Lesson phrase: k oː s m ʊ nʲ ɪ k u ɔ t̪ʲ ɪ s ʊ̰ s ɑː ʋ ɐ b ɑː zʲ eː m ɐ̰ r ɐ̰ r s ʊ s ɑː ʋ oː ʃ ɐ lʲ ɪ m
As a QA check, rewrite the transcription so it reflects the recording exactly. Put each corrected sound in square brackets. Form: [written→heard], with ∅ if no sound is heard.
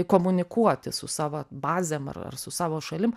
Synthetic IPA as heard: k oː [s→∅] m ʊ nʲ ɪ k u ɔ t̪ʲ ɪ s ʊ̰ s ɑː ʋ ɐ b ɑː zʲ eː m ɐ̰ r ɐ̰ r s ʊ s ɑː ʋ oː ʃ ɐ lʲ ɪ m